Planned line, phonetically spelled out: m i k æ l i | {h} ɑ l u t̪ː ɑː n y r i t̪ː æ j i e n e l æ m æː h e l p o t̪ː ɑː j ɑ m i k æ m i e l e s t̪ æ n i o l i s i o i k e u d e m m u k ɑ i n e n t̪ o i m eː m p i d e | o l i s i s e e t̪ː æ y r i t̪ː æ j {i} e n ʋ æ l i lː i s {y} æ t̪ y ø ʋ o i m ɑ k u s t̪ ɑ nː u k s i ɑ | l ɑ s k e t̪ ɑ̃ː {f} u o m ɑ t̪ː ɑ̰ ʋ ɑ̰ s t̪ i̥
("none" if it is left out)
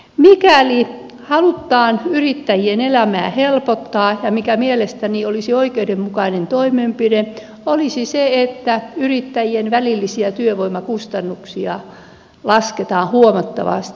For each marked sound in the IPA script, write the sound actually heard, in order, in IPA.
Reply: h, i, i, h

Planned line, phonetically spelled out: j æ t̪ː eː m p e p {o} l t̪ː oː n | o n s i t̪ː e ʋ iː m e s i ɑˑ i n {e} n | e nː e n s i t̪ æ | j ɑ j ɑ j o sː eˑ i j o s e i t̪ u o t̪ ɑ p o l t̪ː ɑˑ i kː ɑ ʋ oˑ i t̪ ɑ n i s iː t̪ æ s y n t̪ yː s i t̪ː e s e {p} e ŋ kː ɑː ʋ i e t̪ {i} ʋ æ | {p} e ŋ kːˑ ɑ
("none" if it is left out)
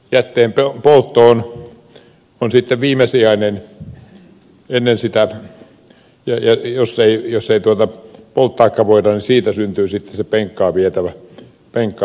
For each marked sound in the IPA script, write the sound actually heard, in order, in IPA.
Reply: o, e, p, æ, p

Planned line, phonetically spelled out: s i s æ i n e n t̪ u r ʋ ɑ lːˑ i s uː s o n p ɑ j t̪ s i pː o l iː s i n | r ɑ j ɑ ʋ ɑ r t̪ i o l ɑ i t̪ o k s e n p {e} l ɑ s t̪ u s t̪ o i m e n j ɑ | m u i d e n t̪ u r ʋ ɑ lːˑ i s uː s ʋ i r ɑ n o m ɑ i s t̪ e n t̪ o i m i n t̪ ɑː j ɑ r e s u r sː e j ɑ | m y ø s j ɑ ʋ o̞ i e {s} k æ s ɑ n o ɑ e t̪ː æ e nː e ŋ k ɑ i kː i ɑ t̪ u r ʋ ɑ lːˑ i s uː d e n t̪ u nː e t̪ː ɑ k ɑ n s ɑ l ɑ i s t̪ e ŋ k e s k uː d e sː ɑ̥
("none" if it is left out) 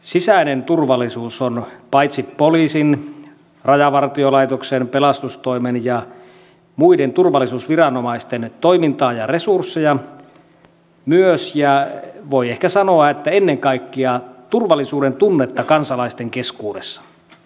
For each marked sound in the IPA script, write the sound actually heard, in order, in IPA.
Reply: e, h

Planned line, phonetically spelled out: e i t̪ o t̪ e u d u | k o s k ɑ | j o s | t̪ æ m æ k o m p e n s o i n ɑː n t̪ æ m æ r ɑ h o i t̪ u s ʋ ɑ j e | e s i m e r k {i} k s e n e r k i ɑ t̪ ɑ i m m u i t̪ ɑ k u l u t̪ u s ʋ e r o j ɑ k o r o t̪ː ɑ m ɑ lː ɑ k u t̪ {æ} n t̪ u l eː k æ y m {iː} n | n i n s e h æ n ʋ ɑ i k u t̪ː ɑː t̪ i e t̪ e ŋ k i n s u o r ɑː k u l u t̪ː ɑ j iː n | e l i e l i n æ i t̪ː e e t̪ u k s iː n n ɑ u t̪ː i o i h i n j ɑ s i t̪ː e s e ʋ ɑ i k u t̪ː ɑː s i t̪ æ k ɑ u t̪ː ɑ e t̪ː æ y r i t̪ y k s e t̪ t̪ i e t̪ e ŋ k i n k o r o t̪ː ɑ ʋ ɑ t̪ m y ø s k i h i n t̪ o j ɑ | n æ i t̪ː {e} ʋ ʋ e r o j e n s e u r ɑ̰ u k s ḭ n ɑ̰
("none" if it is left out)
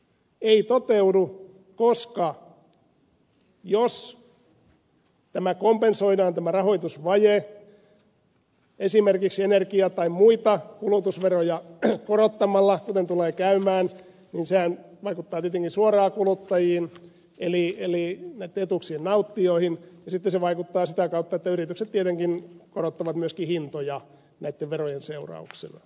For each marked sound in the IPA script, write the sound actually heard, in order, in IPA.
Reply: i, e, æː, e

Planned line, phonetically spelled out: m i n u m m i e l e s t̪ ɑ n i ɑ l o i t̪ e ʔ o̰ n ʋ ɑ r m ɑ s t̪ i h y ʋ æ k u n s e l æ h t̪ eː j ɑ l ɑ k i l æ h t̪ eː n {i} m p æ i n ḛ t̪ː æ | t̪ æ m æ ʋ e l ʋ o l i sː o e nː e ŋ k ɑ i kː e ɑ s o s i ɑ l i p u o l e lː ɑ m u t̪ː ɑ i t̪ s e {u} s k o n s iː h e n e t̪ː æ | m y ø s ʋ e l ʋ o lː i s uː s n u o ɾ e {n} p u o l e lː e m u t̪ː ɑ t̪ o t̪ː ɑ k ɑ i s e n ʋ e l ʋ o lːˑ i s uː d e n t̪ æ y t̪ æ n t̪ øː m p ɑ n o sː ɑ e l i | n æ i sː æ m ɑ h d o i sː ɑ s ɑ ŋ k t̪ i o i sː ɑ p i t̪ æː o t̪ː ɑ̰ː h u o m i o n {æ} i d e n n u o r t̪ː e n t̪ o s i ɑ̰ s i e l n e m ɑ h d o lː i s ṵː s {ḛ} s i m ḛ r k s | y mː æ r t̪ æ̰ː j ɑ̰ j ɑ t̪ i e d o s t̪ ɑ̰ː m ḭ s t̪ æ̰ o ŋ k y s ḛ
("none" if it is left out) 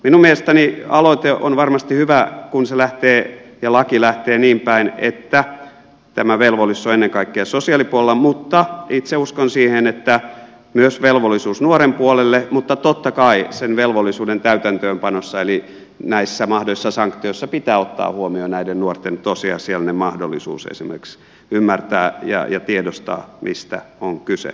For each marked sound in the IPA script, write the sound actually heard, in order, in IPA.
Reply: iː, u, m, æ, ḛ

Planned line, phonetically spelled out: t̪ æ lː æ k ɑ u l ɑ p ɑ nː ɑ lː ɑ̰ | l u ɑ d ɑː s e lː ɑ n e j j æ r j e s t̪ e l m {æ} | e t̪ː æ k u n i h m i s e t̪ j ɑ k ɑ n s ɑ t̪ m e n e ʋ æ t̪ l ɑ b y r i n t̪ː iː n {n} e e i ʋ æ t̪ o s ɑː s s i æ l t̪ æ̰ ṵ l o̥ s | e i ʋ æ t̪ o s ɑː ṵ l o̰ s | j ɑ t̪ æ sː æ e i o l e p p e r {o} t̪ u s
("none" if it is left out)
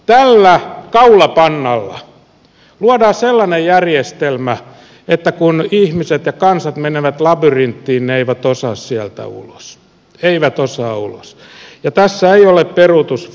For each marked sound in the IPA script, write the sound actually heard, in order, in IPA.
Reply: æ, n, u

